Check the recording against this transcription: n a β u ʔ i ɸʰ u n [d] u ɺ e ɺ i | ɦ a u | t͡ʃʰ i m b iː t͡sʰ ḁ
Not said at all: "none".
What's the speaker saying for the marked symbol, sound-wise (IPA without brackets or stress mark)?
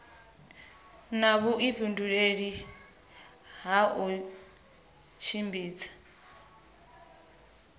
d